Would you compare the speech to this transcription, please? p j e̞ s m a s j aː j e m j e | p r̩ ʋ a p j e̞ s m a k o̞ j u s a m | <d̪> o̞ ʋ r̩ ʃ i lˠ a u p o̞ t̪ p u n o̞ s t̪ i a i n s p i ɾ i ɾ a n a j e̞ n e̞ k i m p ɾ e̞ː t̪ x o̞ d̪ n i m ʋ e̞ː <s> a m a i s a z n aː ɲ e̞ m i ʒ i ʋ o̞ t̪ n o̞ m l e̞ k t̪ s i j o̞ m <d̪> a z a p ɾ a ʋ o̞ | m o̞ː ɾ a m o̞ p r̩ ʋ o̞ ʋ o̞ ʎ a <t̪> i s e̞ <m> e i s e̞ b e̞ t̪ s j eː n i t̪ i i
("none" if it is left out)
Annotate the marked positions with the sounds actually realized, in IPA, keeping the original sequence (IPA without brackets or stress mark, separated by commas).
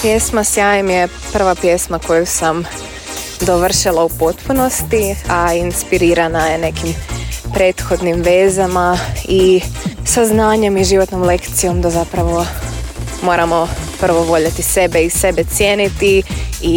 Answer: d̪, z, d̪, t̪, b